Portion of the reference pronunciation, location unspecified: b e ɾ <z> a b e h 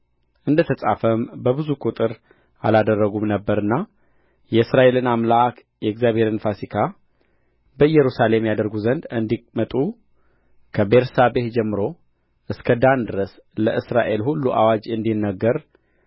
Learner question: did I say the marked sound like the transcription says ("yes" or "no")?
no